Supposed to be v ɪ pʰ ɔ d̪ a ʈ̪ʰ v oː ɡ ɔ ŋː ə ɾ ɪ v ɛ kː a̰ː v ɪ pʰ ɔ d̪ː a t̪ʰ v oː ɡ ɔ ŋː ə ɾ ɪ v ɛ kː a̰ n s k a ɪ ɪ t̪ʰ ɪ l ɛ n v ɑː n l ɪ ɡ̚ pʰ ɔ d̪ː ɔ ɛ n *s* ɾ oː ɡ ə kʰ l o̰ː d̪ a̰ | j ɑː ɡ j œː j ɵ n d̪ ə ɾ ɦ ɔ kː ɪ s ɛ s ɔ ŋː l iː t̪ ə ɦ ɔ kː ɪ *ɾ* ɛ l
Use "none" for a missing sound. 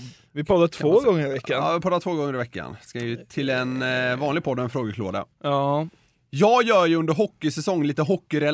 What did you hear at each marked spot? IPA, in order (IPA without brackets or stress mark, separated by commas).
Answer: f, ɾ